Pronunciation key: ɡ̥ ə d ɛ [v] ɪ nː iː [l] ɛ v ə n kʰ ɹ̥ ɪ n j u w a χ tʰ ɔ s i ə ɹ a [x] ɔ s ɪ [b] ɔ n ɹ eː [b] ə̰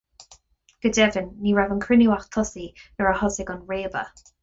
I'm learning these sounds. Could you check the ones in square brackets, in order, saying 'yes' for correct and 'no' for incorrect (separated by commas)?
yes, no, no, no, yes